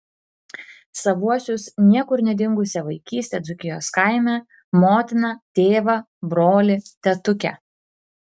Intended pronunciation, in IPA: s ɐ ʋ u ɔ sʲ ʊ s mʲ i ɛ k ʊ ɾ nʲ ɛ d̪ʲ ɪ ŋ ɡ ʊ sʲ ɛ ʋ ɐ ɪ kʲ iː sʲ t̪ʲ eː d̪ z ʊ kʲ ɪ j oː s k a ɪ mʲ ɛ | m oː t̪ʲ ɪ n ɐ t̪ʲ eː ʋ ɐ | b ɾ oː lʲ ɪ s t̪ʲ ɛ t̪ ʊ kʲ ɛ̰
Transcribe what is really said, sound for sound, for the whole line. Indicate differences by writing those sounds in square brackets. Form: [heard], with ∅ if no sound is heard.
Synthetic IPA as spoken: s ɐ ʋ u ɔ sʲ ʊ s [nʲ] i ɛ k ʊ ɾ nʲ ɛ d̪ʲ ɪ ŋ ɡ ʊ sʲ ɛ ʋ ɐ ɪ kʲ iː sʲ t̪ʲ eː d̪ z ʊ kʲ ɪ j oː s k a ɪ mʲ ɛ | m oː t̪ʲ ɪ n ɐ t̪ʲ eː ʋ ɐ | b ɾ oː lʲ ɪ [∅] t̪ʲ ɛ t̪ ʊ kʲ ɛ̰